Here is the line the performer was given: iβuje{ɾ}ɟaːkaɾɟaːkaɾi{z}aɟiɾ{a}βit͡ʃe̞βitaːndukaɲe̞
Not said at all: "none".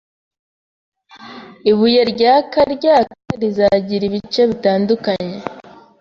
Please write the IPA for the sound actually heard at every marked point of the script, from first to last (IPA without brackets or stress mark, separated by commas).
ɾ, z, i